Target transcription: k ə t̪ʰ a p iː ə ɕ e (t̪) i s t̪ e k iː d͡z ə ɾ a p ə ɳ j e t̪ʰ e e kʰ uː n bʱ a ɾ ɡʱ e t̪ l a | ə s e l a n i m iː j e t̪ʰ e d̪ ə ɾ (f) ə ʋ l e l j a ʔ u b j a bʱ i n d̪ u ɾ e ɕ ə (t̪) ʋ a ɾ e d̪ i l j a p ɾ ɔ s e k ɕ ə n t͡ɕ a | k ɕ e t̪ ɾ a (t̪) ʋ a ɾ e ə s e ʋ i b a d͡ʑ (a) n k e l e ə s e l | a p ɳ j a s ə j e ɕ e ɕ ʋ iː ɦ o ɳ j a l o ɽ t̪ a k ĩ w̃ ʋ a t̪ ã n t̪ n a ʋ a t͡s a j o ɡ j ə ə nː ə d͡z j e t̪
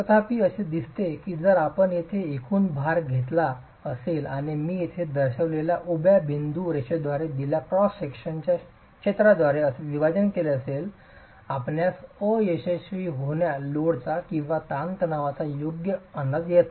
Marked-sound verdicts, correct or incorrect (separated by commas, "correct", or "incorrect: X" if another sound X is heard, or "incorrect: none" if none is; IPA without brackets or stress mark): incorrect: d̪, incorrect: ɕ, incorrect: d̪, incorrect: d̪, incorrect: ə